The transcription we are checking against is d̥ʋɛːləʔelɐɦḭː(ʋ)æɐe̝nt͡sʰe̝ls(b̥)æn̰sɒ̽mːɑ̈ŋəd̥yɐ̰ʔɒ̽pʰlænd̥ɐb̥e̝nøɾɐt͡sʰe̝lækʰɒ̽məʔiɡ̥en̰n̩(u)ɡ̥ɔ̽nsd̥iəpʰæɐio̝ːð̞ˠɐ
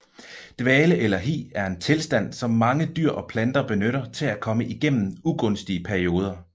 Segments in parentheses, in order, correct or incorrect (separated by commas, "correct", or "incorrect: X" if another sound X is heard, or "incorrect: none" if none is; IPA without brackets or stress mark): incorrect: none, incorrect: d̥, correct